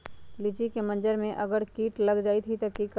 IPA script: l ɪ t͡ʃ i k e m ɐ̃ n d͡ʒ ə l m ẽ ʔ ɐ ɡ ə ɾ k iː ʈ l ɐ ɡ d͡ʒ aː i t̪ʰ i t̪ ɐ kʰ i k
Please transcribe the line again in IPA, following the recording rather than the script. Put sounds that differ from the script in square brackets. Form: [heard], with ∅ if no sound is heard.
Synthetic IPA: l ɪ t͡ʃ i k e m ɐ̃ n d͡ʒ ə [ɾ] m ẽ ʔ ɐ ɡ ə ɾ k iː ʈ l ɐ ɡ d͡ʒ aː i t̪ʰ i t̪ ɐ [k] i k